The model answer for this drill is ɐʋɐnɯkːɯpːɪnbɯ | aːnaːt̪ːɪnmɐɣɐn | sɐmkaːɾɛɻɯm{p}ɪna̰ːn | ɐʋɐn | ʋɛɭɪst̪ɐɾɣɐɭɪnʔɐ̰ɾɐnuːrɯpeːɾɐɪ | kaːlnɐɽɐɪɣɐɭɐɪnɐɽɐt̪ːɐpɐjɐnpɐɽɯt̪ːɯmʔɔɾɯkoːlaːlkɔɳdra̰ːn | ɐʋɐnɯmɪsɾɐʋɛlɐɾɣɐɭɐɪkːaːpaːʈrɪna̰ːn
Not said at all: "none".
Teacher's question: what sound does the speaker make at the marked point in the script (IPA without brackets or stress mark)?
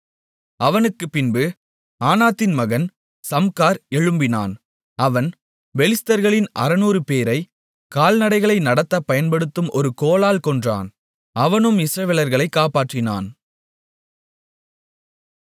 b